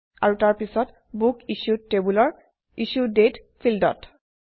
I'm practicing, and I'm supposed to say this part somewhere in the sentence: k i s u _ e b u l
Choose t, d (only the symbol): t